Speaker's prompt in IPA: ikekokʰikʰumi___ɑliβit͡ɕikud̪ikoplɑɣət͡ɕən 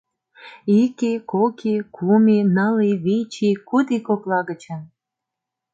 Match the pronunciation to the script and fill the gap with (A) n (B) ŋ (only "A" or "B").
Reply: A